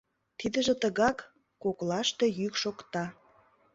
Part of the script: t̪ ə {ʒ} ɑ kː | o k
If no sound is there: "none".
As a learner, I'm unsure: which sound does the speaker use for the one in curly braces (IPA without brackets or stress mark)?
ɣ